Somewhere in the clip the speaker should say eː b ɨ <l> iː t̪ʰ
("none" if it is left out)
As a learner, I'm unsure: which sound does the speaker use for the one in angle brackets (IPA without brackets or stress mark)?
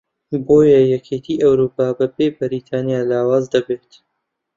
ɾ